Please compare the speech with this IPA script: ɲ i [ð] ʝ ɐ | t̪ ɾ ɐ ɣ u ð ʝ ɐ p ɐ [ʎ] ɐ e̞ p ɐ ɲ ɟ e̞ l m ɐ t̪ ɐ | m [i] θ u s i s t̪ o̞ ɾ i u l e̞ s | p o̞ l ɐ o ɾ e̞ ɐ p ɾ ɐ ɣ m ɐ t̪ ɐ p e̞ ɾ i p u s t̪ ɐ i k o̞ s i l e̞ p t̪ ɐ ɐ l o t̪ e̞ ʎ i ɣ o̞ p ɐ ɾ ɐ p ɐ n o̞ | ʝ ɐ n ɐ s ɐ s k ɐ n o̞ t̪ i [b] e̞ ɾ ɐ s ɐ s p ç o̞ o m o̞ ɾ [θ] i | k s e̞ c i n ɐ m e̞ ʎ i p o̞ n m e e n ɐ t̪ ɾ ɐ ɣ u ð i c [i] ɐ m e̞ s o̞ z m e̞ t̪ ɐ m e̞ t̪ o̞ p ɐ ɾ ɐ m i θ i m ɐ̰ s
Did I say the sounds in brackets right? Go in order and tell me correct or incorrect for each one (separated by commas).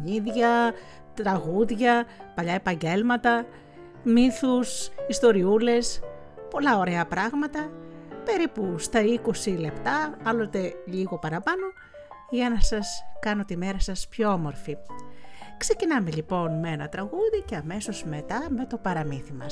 correct, correct, correct, incorrect, incorrect, incorrect